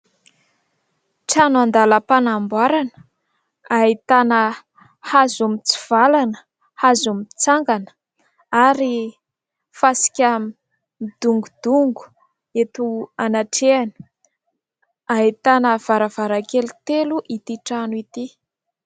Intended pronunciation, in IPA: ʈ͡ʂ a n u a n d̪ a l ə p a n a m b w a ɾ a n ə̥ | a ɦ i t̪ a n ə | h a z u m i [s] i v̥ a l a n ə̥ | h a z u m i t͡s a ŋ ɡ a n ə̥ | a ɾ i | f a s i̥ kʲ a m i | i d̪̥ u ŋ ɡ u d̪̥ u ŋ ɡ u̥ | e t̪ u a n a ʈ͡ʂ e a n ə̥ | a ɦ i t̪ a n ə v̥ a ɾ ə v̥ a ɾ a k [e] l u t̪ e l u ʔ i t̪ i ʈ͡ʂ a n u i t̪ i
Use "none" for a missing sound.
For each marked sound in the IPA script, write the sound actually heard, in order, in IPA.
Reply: t͡s, e

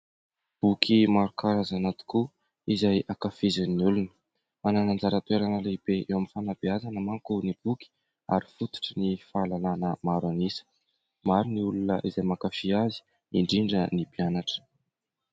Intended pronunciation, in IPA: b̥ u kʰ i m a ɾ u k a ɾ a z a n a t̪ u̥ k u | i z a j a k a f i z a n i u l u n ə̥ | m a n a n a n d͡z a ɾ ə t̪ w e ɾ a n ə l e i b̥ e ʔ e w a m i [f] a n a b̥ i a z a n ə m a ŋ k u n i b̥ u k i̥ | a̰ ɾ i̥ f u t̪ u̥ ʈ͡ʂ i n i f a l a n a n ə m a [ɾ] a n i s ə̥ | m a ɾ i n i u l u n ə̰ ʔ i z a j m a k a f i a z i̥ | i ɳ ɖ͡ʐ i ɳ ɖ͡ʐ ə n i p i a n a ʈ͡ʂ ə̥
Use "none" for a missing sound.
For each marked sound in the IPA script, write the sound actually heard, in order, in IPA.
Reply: f, ɾ

